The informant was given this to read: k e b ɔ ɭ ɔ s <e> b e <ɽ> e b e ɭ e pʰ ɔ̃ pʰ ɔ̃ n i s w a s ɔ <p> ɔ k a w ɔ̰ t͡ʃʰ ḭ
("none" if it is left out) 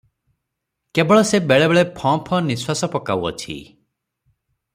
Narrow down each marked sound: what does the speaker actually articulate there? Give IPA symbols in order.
e, ɭ, p

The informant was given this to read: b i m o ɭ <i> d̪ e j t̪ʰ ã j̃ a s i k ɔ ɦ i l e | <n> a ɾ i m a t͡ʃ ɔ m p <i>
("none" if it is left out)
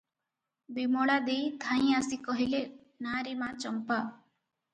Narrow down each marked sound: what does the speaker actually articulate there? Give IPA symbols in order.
a, n, a

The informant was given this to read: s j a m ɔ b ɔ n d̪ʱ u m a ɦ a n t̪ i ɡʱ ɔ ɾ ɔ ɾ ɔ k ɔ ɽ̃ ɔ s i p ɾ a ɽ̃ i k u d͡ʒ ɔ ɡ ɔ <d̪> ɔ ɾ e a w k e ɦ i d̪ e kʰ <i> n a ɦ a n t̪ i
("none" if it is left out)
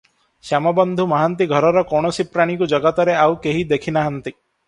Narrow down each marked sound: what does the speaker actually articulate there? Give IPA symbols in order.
t̪, i

